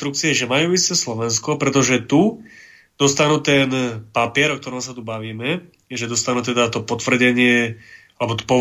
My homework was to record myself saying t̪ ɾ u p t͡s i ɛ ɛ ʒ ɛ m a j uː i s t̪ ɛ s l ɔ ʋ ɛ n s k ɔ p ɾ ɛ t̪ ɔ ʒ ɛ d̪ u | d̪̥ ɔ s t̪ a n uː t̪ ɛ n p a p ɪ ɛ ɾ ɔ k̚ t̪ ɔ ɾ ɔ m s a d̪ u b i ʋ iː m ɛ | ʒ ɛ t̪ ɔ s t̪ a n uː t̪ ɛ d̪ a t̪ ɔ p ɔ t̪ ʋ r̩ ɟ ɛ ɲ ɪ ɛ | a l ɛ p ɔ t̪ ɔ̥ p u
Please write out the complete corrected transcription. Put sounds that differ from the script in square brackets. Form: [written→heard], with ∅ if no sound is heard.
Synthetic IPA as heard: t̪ ɾ u [p→k] t͡s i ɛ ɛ ʒ ɛ m a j uː i s t̪ ɛ s l ɔ ʋ ɛ n s k ɔ p ɾ ɛ t̪ ɔ ʒ ɛ [d̪→t̪] u | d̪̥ ɔ s t̪ a n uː t̪ ɛ n p a p ɪ ɛ ɾ ɔ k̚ t̪ ɔ ɾ ɔ m s a [d̪→t̪] u b [i→a] ʋ iː m ɛ | ʒ ɛ [t̪→d̪] ɔ s t̪ a n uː t̪ ɛ d̪ a t̪ ɔ p ɔ t̪ ʋ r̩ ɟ ɛ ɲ ɪ ɛ | a l ɛ [p→b] ɔ t̪ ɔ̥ p [u→ɔ]